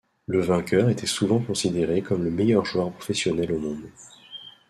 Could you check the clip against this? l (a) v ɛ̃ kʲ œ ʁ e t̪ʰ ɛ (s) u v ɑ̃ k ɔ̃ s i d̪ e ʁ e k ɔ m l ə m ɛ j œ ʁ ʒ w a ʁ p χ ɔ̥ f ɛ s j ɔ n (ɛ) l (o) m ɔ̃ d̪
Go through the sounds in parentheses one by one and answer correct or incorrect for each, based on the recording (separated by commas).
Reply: incorrect, correct, correct, correct